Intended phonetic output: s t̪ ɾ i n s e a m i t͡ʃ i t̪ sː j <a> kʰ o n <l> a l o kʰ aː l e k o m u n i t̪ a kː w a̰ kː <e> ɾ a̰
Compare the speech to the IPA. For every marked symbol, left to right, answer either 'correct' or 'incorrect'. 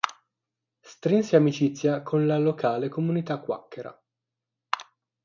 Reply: correct, correct, correct

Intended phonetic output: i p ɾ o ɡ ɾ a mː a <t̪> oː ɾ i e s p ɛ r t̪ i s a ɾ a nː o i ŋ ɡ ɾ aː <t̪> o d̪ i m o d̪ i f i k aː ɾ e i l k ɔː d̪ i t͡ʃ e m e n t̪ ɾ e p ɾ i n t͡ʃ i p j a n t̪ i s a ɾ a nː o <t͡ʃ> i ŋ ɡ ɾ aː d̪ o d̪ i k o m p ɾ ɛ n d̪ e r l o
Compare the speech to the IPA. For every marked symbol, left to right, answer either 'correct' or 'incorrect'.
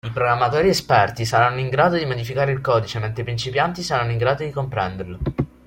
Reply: correct, incorrect: d̪, incorrect: none

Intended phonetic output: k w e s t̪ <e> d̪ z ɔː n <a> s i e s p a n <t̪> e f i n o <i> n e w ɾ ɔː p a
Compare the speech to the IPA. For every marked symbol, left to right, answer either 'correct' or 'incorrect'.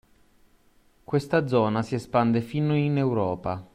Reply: incorrect: a, correct, incorrect: d̪, correct

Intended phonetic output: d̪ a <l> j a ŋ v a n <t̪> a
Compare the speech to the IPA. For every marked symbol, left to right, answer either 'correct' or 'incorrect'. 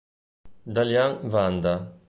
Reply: correct, incorrect: d̪

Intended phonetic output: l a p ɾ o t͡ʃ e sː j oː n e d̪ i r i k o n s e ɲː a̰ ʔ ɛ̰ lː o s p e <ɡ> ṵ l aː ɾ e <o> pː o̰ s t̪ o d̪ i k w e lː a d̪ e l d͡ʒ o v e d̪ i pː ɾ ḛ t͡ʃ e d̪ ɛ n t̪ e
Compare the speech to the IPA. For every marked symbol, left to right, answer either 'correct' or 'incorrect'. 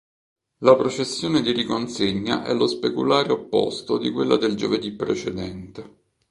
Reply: incorrect: k, correct

